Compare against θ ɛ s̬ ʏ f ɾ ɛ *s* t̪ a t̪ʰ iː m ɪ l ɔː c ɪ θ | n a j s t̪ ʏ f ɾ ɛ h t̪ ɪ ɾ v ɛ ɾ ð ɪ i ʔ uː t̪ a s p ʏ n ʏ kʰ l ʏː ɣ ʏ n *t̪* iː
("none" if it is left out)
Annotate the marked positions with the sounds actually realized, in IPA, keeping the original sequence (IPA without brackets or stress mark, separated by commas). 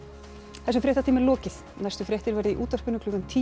h, t̪ʰ